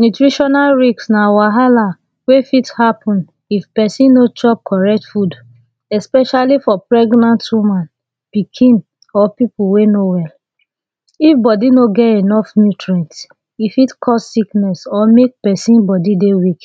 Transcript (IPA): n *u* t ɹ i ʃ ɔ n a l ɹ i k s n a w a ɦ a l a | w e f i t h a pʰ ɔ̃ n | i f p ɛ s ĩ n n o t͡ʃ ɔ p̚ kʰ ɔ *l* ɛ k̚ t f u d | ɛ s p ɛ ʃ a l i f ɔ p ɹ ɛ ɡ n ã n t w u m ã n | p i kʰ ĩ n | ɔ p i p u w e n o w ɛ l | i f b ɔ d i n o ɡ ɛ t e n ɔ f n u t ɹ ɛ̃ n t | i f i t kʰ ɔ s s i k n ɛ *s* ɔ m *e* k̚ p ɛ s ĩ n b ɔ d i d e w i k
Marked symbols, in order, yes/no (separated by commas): yes, no, yes, yes